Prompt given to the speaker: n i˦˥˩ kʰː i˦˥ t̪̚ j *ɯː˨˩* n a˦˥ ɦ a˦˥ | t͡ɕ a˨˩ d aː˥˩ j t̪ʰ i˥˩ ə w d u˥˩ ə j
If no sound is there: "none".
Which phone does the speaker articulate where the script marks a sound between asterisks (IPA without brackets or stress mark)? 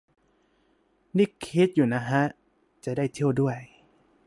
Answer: uː˨˩